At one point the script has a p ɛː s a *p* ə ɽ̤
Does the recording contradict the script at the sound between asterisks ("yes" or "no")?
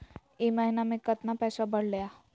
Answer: yes